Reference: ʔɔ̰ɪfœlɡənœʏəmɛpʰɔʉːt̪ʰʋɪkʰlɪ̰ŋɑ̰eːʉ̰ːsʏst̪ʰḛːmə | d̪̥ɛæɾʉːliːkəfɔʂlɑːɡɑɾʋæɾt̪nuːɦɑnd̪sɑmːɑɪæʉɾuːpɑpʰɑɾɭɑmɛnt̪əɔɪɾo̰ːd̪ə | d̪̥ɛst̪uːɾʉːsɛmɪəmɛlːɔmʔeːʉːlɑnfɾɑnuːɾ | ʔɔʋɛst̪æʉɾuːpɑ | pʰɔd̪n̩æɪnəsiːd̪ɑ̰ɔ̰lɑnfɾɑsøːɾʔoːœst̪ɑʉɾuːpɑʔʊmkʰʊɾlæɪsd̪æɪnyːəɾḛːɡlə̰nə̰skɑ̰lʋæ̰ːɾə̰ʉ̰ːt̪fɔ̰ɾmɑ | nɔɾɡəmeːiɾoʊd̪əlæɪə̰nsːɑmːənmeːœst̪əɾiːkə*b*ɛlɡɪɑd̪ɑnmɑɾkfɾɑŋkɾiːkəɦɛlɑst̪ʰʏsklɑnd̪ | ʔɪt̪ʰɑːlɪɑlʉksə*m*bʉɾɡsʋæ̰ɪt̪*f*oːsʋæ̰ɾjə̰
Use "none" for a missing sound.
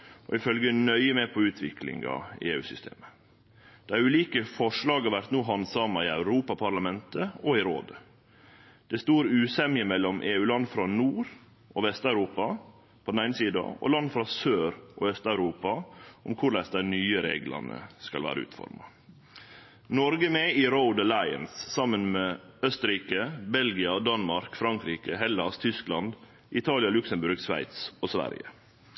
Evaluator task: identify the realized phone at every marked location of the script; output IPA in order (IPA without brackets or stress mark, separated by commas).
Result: b, m, s